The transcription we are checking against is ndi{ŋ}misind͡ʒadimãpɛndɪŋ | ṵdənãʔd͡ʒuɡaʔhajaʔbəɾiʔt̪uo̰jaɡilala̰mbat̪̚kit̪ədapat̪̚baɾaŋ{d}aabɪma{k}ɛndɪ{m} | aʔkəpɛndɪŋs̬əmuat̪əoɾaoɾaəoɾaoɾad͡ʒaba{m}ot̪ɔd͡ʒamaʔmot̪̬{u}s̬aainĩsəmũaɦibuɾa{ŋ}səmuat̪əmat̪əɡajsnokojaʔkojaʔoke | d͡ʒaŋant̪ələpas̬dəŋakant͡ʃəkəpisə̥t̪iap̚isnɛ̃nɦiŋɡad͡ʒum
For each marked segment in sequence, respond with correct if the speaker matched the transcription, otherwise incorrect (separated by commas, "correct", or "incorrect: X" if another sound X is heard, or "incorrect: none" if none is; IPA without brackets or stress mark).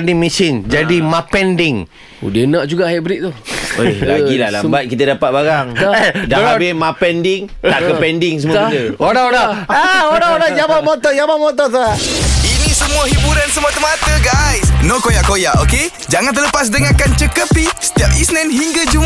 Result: correct, correct, incorrect: p, incorrect: ŋ, correct, incorrect: ɔ, incorrect: n